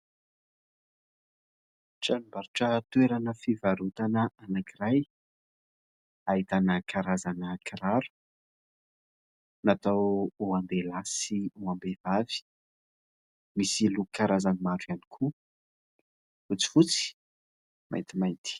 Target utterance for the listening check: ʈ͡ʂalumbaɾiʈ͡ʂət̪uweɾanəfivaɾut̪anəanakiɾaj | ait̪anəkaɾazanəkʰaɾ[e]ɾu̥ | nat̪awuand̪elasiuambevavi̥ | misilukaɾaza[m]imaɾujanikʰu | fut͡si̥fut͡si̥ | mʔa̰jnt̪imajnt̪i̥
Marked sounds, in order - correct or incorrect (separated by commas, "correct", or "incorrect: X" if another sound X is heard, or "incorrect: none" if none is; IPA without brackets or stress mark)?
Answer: incorrect: a, incorrect: n